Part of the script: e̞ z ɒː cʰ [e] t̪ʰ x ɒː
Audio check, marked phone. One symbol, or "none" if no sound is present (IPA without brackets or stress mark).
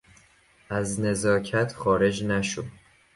æ